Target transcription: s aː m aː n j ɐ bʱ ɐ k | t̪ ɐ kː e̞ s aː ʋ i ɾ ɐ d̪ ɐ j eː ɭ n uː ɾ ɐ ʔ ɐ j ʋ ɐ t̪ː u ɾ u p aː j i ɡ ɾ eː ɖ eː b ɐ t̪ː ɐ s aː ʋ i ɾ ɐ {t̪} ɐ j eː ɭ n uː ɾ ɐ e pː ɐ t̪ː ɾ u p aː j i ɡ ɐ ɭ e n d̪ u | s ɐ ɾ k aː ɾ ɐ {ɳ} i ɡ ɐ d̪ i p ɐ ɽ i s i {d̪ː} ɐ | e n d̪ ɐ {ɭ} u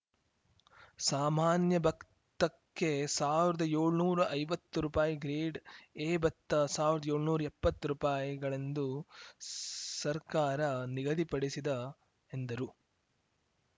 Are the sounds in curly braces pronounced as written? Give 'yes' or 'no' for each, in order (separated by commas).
no, no, no, no